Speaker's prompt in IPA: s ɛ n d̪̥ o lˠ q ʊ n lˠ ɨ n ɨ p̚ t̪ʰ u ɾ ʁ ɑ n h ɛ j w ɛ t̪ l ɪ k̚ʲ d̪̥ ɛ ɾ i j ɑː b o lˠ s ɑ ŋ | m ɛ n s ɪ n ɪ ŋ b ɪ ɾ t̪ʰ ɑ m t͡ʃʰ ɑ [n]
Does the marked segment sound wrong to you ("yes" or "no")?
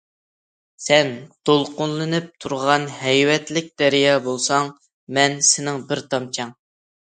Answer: yes